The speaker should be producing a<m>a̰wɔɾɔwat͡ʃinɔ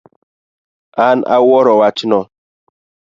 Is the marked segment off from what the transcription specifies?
yes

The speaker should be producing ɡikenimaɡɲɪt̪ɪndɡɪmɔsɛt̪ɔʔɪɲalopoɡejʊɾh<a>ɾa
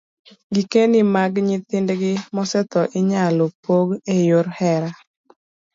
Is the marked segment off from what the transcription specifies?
yes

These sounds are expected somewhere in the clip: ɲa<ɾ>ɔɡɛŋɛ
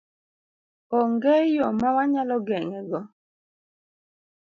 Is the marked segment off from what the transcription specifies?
yes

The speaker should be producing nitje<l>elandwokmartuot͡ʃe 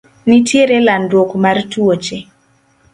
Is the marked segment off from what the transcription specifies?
yes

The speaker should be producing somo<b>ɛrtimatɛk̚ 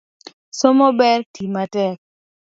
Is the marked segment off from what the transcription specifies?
no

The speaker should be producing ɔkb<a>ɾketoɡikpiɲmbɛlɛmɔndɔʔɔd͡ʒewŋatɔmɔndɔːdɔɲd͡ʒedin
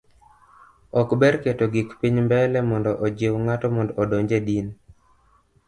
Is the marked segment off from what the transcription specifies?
yes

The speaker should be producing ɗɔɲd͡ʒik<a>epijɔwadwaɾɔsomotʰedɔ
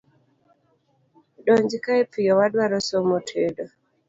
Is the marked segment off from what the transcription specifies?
no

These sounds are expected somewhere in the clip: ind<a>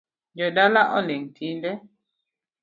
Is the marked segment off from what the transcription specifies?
yes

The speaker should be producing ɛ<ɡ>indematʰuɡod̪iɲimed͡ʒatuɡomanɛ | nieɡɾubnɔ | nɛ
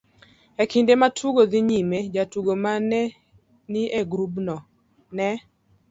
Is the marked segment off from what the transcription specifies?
yes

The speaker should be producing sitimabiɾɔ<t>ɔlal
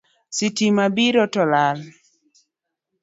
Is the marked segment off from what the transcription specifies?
no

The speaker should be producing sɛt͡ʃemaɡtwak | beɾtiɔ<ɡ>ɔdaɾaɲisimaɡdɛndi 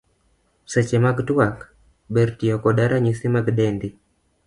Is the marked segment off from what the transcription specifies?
yes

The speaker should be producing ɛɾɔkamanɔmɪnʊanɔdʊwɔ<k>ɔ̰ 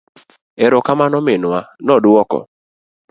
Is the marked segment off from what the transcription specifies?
no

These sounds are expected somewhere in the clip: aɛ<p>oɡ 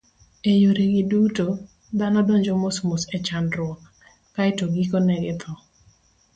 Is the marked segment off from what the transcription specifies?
yes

